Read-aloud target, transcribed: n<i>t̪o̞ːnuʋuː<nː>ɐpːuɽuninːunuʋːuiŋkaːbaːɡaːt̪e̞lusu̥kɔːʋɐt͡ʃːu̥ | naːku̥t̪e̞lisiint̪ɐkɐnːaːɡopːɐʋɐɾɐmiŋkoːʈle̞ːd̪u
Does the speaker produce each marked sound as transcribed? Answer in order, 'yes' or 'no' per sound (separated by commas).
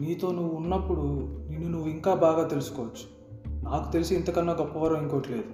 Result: no, yes